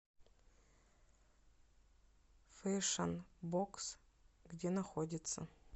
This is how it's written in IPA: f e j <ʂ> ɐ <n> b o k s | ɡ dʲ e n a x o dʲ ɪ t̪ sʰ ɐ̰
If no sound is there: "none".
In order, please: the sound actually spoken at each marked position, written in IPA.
ʂ, n

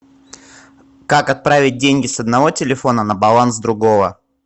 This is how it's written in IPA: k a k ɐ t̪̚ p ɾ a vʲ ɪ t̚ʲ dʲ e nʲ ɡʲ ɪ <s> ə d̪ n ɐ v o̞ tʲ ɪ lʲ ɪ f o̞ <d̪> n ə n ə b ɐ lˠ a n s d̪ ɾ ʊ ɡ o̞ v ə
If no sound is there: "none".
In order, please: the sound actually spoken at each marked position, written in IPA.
s, none

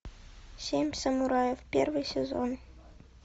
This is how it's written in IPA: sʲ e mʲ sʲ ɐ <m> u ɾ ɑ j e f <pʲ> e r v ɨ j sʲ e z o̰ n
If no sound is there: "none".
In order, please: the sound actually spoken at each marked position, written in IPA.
m, pʲ

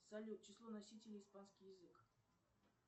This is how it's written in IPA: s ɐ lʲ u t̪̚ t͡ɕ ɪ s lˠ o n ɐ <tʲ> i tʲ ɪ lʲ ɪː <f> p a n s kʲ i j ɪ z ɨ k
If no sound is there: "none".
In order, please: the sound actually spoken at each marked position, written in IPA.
sʲ, s

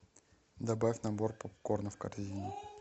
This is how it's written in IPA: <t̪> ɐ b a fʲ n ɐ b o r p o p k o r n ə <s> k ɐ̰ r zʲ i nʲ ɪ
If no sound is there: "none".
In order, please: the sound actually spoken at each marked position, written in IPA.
d̪, f

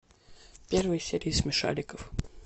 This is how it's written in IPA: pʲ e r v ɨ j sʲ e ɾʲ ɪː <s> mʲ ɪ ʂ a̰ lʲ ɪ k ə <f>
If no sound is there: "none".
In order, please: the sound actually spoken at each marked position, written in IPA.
s, f

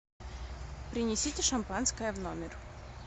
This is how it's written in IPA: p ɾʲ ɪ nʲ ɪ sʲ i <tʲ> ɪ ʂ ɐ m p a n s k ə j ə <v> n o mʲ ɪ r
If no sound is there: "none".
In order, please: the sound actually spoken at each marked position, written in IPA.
tʲ, v

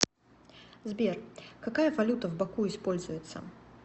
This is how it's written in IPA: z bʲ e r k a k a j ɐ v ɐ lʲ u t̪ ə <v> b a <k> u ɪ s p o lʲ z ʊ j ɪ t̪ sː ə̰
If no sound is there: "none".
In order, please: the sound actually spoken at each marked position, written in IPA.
v, k

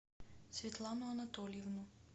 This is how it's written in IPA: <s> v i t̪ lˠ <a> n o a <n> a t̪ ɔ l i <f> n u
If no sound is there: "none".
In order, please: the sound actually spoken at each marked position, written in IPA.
s, a, n, v

